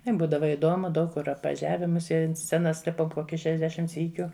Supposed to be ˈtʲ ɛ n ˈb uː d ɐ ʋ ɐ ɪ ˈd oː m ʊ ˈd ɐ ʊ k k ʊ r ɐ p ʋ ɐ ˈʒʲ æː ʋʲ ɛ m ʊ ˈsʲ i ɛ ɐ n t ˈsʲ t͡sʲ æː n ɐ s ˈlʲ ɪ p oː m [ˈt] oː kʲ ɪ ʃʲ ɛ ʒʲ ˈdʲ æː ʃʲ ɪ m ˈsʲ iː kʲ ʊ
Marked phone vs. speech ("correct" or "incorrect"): incorrect